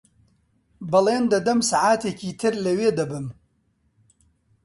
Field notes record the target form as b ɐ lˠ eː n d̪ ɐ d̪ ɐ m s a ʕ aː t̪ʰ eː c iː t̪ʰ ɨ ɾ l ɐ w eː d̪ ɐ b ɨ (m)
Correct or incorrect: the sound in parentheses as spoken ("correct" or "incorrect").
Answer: correct